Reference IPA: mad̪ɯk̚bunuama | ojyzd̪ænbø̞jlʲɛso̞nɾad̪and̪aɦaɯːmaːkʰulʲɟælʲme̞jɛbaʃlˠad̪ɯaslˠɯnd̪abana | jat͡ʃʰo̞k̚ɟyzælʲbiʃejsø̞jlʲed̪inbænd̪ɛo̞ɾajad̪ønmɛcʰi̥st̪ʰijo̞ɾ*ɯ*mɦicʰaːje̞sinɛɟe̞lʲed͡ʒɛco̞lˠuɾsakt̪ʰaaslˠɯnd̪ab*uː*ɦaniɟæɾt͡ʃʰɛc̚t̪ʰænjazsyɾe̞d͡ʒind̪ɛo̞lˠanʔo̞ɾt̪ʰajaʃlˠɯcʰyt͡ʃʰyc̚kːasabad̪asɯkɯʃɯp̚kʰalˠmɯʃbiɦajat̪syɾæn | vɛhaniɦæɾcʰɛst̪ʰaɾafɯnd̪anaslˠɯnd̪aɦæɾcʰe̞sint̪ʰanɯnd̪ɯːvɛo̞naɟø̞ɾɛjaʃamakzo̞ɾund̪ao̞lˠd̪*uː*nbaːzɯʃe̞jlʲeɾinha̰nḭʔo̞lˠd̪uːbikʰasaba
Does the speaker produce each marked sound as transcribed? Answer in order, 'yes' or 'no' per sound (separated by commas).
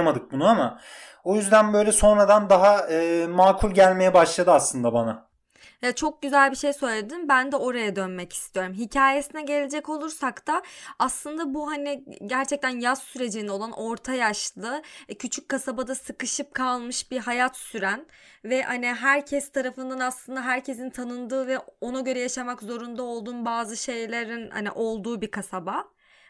no, no, yes